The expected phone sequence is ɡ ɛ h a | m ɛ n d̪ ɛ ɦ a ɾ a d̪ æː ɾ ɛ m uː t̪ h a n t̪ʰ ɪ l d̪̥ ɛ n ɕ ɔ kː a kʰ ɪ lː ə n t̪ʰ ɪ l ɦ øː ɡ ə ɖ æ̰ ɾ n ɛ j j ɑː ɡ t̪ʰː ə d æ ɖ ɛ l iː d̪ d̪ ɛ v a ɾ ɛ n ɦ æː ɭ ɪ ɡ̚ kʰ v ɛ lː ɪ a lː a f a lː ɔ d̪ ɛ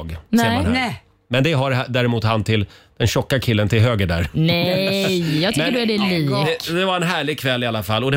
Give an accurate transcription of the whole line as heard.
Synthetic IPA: ɡ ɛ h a | m ɛ n d̪ ɛ ɦ a ɾ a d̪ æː ɾ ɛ m uː t̪ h a n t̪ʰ ɪ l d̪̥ ɛ n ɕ ɔ kː a kʰ ɪ lː ə n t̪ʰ ɪ l ɦ øː ɡ ə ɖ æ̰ ɾ n ɛ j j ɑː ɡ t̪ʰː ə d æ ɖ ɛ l iː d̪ d̪ ɛ v a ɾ ɛ n ɦ æː ɭ ɪ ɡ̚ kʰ v ɛ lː ɪ a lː a f a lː ɔ d̪ ɛ